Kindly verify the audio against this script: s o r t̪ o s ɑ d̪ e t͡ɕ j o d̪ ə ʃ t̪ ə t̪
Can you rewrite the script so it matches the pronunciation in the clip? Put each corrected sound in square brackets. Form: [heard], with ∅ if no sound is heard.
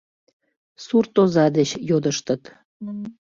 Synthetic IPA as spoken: s [u] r t̪ o [z] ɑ d̪ e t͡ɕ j o d̪ ə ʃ t̪ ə t̪